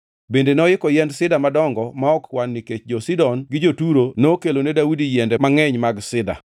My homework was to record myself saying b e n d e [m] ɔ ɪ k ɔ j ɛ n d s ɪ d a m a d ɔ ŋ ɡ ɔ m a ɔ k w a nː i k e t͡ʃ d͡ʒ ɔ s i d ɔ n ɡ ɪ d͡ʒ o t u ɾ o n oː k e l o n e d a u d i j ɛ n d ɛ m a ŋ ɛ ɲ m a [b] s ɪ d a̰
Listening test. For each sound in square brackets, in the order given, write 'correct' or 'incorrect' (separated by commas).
incorrect, incorrect